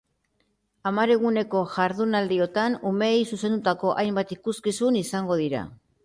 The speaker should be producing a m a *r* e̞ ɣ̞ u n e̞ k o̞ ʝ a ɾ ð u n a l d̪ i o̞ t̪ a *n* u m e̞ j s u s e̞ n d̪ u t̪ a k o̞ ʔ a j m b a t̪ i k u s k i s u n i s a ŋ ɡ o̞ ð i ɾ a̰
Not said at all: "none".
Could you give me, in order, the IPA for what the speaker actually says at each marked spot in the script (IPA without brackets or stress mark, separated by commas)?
ɾ, n